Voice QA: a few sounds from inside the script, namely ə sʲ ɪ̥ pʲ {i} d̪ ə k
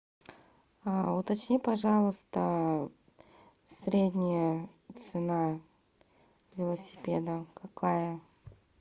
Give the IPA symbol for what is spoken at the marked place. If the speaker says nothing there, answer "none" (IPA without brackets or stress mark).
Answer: e